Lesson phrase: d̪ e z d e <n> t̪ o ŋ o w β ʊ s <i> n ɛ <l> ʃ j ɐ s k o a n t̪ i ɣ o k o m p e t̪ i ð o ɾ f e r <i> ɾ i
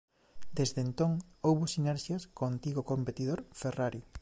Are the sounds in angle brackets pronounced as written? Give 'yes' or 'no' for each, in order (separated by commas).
yes, yes, no, no